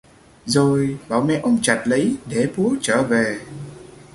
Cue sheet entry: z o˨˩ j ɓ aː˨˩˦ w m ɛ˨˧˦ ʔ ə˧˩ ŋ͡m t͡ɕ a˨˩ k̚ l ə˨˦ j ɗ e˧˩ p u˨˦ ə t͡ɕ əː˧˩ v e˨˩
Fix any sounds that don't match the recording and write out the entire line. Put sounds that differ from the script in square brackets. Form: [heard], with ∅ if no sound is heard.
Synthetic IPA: z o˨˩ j ɓ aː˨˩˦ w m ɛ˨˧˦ ʔ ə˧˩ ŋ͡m t͡ɕ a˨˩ [t̚] l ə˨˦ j ɗ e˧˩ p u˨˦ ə t͡ɕ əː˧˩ v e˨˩